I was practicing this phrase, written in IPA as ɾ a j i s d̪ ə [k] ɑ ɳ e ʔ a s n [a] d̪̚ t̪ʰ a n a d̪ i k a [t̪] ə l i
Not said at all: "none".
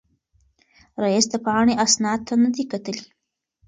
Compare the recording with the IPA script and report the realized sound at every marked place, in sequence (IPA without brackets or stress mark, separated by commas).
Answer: p, ɑ, t̪